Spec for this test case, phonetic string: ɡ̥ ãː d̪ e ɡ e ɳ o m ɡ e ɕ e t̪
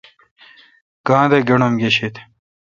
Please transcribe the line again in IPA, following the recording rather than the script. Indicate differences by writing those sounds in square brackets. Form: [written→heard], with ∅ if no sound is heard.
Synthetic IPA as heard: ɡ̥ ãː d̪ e ɡ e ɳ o m ɡ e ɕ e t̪